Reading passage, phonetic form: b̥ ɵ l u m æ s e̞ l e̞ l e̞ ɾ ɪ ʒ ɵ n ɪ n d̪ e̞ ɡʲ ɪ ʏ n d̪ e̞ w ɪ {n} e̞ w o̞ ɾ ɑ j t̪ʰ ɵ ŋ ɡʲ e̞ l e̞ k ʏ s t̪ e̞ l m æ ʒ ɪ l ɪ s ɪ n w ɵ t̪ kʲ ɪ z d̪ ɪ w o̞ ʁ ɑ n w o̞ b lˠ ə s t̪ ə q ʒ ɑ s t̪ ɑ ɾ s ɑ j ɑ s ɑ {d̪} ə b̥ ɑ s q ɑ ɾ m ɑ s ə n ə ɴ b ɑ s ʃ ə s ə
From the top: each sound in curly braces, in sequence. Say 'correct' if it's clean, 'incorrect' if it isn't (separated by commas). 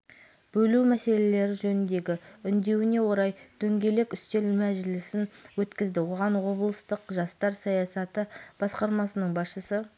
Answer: correct, incorrect